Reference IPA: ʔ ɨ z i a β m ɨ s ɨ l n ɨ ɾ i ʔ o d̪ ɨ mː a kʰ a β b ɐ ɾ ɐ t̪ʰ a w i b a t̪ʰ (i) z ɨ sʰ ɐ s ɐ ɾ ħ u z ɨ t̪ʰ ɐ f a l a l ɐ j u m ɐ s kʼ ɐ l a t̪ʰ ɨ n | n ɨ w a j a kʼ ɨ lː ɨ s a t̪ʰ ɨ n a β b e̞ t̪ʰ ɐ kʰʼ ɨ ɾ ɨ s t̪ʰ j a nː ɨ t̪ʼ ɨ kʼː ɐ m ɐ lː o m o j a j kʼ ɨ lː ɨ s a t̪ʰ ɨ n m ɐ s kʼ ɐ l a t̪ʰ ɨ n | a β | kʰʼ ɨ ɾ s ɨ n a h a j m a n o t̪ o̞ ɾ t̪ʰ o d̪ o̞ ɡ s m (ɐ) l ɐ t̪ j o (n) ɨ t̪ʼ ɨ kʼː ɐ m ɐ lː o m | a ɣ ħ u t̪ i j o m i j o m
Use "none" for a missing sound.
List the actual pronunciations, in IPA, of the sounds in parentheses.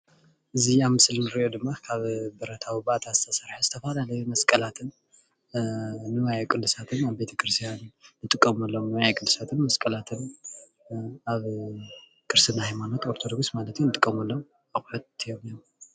a, a, n

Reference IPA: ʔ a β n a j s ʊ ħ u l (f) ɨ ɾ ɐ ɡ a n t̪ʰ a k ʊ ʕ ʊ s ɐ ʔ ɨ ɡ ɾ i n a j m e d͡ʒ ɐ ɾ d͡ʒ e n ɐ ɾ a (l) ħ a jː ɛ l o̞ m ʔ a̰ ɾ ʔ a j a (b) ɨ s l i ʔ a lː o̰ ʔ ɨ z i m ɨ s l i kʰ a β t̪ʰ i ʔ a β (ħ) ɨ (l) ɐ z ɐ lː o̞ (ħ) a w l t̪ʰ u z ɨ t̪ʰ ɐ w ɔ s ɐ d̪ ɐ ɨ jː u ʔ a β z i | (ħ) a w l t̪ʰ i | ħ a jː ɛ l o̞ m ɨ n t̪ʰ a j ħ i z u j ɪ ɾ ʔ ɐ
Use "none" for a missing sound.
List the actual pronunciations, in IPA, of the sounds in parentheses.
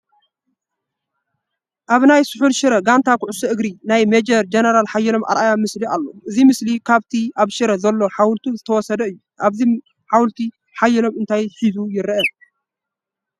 ʃ, l, m, ʃ, ɾ, ħ, ħ

